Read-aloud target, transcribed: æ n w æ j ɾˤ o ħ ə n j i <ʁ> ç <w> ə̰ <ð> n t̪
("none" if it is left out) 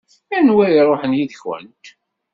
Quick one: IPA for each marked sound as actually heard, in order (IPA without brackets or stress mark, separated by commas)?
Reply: ð, w, none